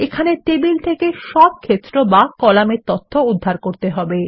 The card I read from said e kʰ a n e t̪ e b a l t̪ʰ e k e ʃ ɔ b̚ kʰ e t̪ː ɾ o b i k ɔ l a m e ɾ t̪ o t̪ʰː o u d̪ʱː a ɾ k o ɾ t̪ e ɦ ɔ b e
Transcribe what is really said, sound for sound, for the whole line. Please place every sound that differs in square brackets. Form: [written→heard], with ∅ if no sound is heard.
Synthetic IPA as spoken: e kʰ a n e t̪ e b [a→i] l t̪ʰ e k e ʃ ɔ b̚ kʰ e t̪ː ɾ o b [i→a] k ɔ l a m e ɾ t̪ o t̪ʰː o u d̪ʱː a ɾ k o ɾ t̪ e ɦ ɔ b e